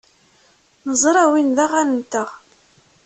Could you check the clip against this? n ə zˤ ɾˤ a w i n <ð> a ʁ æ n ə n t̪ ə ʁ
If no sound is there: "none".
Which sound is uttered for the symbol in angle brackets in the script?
ð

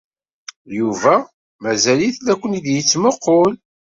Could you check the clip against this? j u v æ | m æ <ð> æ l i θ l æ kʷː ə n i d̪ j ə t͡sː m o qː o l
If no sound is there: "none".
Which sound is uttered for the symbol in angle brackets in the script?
z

